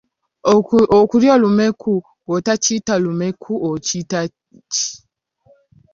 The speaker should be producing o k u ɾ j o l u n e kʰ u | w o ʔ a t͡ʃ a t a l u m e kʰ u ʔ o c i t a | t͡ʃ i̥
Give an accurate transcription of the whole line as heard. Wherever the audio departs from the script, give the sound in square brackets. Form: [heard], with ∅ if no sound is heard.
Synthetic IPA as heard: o k u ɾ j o l u [m] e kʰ u | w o [t] a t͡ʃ [i] t a l u m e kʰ u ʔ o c i t a | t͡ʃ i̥